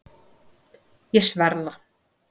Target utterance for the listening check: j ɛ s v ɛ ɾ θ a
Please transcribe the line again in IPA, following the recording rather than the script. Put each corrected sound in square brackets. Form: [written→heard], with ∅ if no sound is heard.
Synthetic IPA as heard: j ɛ s v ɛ ɾ [θ→ð] a

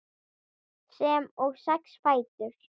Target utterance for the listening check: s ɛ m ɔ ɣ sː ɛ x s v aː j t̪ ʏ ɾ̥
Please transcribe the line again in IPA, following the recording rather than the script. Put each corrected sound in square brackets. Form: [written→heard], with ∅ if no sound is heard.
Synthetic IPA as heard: s ɛ m ɔ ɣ [sː→s] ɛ [x→k] s [v→f] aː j t̪ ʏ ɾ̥

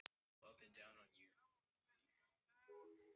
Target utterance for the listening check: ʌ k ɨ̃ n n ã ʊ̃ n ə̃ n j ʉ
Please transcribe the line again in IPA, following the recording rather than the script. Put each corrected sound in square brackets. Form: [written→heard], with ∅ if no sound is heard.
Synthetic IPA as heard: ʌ [k→p] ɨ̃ n [n→d] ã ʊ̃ n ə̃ n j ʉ

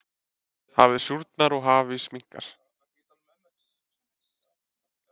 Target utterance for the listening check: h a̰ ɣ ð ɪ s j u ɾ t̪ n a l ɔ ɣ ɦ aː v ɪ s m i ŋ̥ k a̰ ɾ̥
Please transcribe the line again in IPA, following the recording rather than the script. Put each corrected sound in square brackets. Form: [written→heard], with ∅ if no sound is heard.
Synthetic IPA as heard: h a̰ [ɣ→v] ð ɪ s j u ɾ t̪ n a [l→ɾ] ɔ ɣ ɦ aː v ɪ s m i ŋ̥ k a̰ ɾ̥

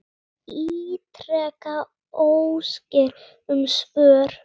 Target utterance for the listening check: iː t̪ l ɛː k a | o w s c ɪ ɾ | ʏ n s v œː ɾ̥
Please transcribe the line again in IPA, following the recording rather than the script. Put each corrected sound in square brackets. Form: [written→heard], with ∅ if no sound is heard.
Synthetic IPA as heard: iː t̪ [l→ɾ] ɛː k a | o w s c ɪ ɾ | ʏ [n→m] s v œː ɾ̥

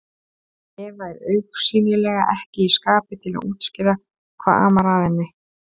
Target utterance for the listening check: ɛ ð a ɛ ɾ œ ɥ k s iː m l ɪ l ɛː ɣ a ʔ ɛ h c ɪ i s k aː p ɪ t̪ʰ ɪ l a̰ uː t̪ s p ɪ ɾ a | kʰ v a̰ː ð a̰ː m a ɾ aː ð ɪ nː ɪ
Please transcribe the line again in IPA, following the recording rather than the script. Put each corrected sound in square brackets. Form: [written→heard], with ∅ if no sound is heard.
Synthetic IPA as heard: ɛ [ð→v] a ɛ ɾ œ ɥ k s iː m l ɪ l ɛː ɣ a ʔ ɛ h c ɪ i s k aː p ɪ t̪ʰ ɪ l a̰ uː t̪ s [p→c] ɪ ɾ a | kʰ v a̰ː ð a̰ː m a ɾ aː ð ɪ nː ɪ

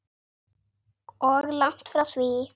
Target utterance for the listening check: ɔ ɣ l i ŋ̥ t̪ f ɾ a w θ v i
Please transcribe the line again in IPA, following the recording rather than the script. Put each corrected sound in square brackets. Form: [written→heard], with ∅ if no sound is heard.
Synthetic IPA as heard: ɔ ɣ l [i→a] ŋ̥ t̪ f ɾ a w θ v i

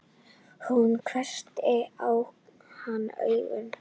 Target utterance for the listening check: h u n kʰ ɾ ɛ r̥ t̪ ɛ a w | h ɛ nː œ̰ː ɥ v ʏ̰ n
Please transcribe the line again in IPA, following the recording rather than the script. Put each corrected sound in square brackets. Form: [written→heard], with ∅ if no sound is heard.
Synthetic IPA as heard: h u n kʰ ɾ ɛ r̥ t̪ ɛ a w | h [ɛ→a] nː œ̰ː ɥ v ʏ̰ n

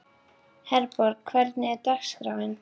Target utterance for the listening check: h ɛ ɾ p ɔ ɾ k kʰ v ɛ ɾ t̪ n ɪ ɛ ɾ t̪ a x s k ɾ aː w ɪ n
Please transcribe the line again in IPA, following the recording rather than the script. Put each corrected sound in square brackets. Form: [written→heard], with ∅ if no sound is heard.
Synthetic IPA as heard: h ɛ ɾ p ɔ ɾ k kʰ v ɛ ɾ t̪ n ɪ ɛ ɾ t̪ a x s k ɾ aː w ɪ n

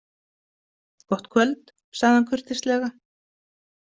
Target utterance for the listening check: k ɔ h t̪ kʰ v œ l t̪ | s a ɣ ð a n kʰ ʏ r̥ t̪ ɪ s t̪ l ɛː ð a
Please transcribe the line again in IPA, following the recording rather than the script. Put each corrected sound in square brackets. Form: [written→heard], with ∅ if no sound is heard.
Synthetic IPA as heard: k ɔ h t̪ kʰ v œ l t̪ | s a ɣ ð a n kʰ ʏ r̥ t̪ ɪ s t̪ l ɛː [ð→ɣ] a

